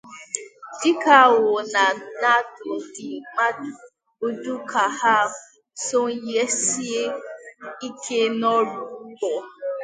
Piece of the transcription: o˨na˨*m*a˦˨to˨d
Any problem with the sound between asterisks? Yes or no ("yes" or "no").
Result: yes